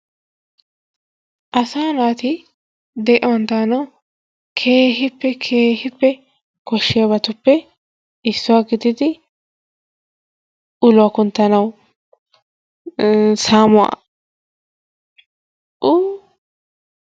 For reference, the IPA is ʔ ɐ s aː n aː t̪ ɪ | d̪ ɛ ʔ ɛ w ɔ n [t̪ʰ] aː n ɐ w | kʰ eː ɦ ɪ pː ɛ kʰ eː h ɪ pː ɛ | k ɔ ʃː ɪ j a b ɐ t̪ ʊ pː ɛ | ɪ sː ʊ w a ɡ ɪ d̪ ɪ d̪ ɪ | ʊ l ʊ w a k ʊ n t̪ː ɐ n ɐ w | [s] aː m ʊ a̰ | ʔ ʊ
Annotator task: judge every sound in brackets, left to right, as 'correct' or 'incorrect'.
incorrect, correct

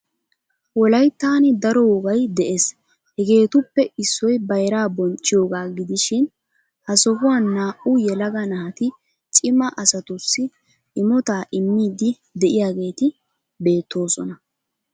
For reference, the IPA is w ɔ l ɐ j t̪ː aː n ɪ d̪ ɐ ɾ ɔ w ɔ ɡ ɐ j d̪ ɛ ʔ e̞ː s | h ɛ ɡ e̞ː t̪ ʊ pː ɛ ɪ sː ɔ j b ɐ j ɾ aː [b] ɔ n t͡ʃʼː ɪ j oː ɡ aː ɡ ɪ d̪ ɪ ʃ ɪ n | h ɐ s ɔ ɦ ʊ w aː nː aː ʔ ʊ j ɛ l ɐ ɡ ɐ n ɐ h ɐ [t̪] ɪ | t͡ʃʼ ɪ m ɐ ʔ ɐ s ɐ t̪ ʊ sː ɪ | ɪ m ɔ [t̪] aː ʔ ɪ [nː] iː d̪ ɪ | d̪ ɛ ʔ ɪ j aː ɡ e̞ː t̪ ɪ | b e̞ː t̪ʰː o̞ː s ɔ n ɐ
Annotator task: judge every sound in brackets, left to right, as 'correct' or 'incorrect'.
correct, correct, correct, incorrect

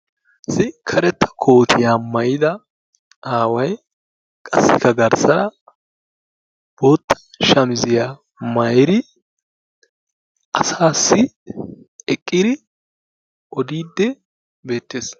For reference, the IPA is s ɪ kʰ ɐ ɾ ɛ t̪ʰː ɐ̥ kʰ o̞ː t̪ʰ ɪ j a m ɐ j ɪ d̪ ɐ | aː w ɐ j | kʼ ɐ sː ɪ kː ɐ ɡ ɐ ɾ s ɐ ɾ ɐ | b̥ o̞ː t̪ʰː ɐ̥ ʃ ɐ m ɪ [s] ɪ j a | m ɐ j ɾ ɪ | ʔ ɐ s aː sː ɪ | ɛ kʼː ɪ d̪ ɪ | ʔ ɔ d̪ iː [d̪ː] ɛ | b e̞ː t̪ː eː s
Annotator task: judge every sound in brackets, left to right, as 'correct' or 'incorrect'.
incorrect, correct

